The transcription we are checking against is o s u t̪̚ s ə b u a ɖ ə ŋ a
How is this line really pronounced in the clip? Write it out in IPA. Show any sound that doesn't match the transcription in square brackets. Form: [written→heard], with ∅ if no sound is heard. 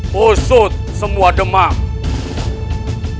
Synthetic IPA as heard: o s [u→o] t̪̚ s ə [b→m] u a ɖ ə [ŋ→m] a